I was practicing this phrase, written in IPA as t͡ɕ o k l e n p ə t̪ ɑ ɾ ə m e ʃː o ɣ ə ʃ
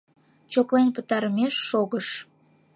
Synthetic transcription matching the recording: t͡ɕ o k l e n p ə t̪ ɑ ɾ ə m e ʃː o ɣ ə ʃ